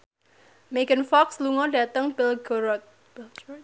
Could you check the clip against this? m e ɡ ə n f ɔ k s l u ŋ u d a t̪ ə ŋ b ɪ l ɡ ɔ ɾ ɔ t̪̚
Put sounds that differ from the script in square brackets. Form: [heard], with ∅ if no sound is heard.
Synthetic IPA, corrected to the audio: m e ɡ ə n f ɔ k s l u ŋ [ɔ] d a t̪ ə ŋ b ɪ l ɡ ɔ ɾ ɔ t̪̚